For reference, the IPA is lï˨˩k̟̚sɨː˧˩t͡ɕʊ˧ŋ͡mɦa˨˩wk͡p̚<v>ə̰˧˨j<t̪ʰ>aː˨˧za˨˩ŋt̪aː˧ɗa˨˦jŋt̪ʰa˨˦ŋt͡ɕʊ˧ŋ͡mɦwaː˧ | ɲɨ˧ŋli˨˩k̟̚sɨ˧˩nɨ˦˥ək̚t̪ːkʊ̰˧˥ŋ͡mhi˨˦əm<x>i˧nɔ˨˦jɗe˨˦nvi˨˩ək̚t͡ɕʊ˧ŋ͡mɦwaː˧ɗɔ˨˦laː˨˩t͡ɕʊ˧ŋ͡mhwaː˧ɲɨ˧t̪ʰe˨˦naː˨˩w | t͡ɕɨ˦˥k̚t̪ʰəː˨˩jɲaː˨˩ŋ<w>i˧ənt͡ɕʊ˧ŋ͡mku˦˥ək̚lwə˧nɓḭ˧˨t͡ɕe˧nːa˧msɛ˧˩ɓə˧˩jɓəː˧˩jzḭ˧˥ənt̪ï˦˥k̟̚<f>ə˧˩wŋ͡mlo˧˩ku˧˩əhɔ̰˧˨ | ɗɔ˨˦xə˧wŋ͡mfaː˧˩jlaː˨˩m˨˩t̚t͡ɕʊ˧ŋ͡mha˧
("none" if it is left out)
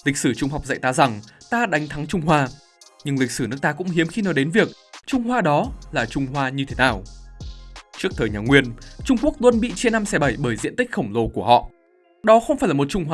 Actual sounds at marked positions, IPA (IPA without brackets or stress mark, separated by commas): z, t̪, x, w, x